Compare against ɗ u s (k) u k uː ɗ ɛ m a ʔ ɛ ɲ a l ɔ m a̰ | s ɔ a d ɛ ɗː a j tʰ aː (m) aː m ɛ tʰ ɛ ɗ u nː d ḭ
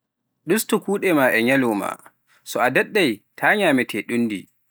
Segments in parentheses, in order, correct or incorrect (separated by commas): incorrect, incorrect